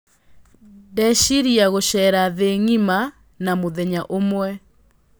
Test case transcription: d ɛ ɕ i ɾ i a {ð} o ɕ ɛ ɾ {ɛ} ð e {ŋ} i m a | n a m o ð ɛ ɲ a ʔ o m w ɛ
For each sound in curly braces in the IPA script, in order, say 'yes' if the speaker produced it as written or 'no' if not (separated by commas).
no, no, yes